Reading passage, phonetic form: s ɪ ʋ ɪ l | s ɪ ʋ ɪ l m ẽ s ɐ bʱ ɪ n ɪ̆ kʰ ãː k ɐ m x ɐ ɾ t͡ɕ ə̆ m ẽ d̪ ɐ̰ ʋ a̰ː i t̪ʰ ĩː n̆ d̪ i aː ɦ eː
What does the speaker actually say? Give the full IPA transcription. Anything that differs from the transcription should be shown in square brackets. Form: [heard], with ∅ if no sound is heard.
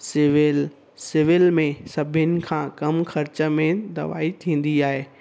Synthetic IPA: s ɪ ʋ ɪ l | s ɪ ʋ ɪ l m ẽ s ɐ bʱ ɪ n ɪ̆ kʰ ãː k ɐ m x ɐ ɾ t͡ɕ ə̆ m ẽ d̪ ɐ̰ ʋ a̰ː i t̪ʰ ĩː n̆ d̪ i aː ɦ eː